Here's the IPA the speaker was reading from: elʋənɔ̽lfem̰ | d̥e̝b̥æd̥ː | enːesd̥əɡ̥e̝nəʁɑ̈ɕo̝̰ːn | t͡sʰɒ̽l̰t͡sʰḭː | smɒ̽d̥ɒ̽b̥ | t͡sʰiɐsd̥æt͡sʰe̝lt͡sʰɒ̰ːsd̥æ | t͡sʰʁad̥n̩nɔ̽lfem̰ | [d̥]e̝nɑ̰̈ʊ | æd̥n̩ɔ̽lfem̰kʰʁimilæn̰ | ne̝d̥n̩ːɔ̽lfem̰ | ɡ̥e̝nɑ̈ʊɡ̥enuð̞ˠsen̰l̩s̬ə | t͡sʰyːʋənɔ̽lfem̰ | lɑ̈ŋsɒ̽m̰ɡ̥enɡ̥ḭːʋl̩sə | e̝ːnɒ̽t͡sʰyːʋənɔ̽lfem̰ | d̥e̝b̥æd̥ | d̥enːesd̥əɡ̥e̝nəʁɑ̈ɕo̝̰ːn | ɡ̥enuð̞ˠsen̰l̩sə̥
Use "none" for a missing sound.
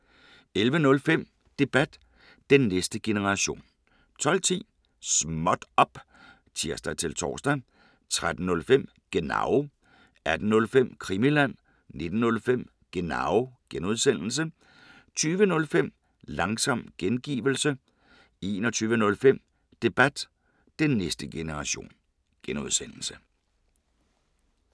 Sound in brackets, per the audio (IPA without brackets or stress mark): ɡ̥